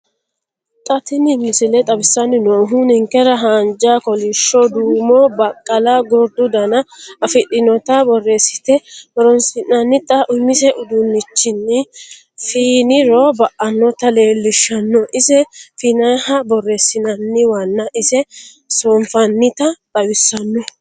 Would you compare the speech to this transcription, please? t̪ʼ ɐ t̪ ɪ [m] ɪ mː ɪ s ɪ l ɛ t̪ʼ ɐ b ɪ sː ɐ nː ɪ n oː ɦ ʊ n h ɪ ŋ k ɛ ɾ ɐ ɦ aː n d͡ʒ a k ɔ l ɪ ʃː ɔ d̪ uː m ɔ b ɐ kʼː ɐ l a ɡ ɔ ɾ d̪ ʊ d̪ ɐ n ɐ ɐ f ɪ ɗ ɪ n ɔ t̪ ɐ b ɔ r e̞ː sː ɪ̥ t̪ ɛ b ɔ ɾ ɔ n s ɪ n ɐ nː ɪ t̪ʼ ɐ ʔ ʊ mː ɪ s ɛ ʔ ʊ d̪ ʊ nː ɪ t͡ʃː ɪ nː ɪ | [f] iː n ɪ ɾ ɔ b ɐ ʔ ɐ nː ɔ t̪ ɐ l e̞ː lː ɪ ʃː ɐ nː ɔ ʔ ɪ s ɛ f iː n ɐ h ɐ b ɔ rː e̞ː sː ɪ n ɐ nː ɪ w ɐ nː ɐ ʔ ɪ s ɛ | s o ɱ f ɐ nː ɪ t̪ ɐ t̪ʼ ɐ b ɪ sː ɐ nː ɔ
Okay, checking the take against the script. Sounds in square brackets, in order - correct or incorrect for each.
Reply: incorrect: n, correct

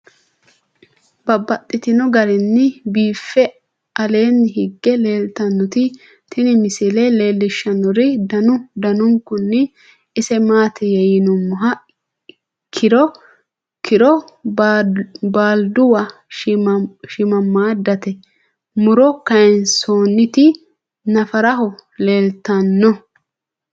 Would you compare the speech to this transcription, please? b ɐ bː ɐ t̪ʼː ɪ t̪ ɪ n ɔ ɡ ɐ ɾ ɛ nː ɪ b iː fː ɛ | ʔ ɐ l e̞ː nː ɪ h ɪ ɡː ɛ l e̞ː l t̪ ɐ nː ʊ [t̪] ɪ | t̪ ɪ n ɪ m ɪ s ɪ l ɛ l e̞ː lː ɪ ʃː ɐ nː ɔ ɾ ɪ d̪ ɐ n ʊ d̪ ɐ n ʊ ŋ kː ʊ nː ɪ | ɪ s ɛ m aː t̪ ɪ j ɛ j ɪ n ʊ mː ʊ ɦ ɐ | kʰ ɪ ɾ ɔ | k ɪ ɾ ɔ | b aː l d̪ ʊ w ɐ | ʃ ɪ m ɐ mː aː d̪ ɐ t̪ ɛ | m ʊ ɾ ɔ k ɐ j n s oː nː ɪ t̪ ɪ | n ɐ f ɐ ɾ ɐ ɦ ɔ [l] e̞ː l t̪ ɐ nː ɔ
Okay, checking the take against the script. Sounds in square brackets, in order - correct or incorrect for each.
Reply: correct, correct

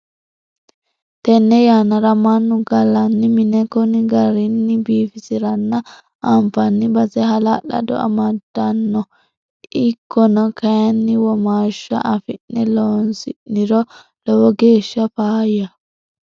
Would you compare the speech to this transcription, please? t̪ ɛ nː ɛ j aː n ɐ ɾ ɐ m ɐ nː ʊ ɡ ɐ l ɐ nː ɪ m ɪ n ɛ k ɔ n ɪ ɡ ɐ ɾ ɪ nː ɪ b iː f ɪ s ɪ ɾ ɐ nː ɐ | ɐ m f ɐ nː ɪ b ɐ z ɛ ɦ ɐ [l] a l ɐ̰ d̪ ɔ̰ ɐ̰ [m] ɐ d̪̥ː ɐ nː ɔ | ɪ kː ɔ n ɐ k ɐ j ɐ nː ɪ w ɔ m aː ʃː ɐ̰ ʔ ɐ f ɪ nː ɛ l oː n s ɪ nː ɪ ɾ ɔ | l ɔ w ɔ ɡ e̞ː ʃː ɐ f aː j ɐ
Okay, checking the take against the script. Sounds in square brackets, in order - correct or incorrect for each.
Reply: correct, correct

